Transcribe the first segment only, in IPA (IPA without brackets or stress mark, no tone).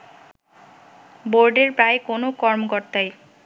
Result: b